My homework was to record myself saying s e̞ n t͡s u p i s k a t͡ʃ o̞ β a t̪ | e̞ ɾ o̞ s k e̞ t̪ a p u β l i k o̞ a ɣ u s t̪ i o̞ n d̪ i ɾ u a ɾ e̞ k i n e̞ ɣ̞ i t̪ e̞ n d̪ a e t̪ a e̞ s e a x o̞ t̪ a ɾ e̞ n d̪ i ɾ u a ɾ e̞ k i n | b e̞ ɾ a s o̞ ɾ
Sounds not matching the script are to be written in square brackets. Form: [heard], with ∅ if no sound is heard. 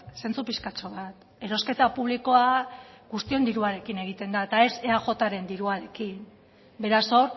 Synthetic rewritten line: s e̞ n t͡s u p i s k a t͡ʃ o̞ β a t̪ | e̞ ɾ o̞ s k e̞ t̪ a p u β l i k o̞ a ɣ u s t̪ i o̞ n d̪ i ɾ u a ɾ e̞ k i n e̞ ɣ̞ i t̪ e̞ n d̪ a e t̪ a e̞ s e a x o̞ t̪ a ɾ e̞ n d̪ i ɾ u a ɾ e̞ k i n | b e̞ ɾ a s o̞ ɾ